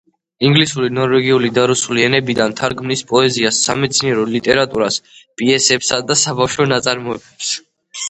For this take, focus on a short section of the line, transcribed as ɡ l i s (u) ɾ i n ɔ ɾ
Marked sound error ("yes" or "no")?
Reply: no